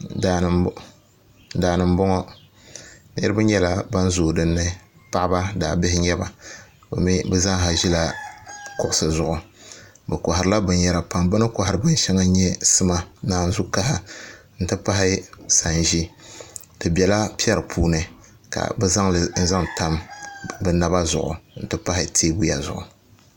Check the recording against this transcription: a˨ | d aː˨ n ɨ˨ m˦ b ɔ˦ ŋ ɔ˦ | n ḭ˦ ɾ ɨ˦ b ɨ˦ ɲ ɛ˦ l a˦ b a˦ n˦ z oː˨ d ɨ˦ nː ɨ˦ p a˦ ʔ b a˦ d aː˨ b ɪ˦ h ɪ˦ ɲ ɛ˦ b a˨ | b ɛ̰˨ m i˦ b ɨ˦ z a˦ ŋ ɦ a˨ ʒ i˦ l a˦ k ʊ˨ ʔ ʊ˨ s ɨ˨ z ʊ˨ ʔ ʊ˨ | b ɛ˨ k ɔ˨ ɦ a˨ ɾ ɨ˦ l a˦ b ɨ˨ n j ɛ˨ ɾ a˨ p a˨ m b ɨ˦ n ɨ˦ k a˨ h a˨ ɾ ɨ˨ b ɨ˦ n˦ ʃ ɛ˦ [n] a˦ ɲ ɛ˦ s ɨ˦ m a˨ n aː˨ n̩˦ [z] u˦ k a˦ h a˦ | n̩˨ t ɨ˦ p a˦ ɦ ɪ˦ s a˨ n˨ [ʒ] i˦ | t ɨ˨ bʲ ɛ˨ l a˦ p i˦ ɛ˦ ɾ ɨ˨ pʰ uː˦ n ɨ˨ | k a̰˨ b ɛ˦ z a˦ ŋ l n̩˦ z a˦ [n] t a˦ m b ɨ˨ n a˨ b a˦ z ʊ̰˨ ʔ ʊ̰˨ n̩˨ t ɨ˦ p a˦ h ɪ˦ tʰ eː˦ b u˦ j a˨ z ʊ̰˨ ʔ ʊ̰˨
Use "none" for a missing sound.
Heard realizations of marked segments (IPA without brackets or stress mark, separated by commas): ŋ, z, ʒ, ŋ